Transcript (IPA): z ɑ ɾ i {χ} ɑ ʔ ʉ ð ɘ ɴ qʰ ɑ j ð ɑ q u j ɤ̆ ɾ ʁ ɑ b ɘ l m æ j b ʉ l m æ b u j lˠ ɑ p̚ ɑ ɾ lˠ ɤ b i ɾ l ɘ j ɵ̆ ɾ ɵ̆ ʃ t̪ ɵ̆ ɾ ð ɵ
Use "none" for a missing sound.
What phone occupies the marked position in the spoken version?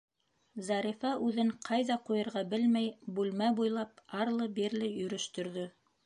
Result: f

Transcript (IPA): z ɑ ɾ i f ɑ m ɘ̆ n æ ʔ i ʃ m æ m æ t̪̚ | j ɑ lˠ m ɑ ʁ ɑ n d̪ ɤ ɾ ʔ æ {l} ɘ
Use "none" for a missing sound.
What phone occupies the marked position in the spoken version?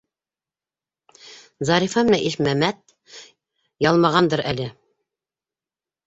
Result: l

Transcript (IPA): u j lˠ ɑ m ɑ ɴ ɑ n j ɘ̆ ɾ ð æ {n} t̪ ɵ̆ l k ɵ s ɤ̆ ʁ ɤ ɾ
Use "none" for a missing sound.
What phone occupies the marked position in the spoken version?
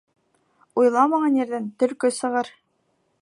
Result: n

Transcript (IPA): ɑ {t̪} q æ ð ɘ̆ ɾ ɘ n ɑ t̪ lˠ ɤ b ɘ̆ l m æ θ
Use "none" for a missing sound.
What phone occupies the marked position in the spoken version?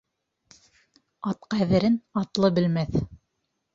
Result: t̪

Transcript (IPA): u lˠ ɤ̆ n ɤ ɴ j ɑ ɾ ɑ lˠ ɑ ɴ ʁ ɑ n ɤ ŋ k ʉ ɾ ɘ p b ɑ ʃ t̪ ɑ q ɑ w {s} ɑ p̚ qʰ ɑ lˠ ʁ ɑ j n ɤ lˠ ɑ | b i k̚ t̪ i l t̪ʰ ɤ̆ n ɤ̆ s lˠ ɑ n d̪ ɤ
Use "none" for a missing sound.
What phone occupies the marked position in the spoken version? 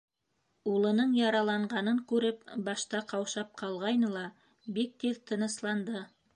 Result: ʃ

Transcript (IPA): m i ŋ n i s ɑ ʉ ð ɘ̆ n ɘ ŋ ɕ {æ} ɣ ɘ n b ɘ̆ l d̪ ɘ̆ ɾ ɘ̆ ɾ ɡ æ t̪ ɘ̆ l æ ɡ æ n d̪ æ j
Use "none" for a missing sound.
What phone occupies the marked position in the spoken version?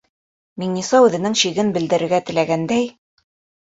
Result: i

